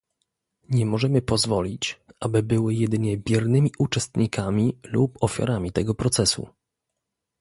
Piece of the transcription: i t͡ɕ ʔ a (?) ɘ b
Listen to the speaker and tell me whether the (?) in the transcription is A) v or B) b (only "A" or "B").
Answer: B